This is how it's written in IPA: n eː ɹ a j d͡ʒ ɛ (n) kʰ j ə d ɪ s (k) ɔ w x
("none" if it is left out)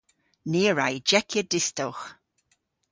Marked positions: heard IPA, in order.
none, t

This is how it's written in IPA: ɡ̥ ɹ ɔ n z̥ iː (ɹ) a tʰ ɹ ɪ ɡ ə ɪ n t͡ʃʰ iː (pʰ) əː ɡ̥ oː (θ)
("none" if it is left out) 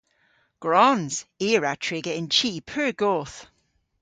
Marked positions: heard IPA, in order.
ɹ, pʰ, θ

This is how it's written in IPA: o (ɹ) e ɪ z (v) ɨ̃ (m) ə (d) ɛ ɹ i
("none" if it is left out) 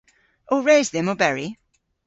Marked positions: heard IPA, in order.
ɹ, ð, m, b

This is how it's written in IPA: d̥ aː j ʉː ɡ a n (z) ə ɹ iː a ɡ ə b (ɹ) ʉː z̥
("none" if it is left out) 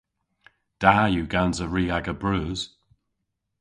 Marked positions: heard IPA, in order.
z, ɹ

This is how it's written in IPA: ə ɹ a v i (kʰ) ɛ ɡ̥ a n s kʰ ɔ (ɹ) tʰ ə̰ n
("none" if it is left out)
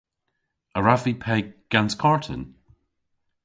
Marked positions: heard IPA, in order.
pʰ, ɹ

